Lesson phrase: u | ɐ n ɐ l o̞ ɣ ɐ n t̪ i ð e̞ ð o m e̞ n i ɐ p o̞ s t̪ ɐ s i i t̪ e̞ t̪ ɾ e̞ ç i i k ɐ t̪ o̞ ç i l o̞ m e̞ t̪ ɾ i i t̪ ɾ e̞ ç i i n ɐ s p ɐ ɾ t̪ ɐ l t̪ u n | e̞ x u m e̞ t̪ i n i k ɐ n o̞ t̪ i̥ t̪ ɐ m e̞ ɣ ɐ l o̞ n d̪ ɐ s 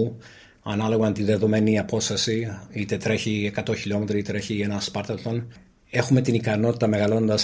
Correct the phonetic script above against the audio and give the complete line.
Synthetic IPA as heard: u | ɐ n ɐ l o̞ ɣ ɐ n t̪ i ð e̞ ð o m e̞ n i ɐ p o̞ s t̪ ɐ s i i t̪ e̞ t̪ ɾ e̞ ç i e k ɐ t̪ o̞ ç i l o̞ m e̞ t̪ ɾ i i t̪ ɾ e̞ ç i e n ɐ s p ɐ ɾ t̪ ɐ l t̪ o n | e̞ x u m e̞ t̪ i n i k ɐ n o̞ t̪ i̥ t̪ ɐ m e̞ ɣ ɐ l o̞ n d̪ ɐ s